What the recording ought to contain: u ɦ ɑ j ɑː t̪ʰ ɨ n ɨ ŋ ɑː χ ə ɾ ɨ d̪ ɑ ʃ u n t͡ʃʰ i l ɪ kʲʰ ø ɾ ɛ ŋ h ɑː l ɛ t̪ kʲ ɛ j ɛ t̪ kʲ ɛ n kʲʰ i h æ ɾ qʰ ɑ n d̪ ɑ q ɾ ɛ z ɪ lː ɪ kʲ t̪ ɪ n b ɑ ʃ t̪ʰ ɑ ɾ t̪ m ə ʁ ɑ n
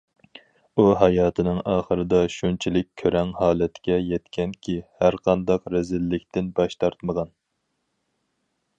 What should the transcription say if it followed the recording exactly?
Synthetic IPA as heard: u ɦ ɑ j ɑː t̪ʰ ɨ n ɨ ŋ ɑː χ ə ɾ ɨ d̪ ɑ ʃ u n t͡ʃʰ i l ɪ kʲʰ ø ɾ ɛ ŋ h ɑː l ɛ t̪ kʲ ɛ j ɛ t̪ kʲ ɛ n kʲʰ i h æ ɾ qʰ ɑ n d̪ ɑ q ɾ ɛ z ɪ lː ɪ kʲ t̪ ɪ n b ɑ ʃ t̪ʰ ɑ ɾ t̪ m ə ʁ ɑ n